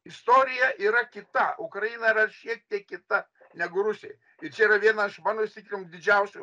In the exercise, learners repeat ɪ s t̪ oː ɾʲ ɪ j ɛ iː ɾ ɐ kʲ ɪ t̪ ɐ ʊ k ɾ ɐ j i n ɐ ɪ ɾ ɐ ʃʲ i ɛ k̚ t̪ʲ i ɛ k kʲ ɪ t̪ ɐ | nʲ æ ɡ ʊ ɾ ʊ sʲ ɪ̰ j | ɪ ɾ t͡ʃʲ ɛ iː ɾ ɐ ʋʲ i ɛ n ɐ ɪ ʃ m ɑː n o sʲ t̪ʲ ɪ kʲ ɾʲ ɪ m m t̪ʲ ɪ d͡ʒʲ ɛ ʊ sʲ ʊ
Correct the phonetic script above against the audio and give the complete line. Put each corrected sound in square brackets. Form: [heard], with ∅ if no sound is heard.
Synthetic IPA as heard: ɪ s t̪ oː ɾʲ ɪ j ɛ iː ɾ ɐ kʲ ɪ t̪ ɐ ʊ k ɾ ɐ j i n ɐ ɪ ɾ ɐ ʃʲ i ɛ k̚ t̪ʲ i ɛ k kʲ ɪ t̪ ɐ | nʲ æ ɡ ʊ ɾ ʊ sʲ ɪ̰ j | ɪ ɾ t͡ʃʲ ɛ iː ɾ ɐ ʋʲ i ɛ n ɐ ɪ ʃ m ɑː n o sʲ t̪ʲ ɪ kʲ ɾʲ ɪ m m [d̪ʲ] ɪ d͡ʒʲ ɛ ʊ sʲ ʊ